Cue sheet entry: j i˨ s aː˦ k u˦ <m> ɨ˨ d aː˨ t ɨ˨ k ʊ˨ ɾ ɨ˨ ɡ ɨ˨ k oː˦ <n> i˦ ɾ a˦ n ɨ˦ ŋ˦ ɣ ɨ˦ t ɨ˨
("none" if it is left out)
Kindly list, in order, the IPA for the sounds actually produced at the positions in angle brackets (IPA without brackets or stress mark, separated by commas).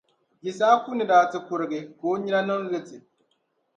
n, ɲ